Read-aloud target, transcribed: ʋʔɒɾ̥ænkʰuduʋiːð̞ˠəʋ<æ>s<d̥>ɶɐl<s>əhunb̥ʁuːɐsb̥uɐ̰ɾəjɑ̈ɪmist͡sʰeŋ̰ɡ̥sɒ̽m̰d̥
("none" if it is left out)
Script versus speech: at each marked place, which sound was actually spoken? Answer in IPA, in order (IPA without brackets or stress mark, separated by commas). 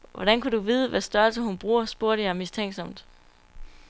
æ, d̥, s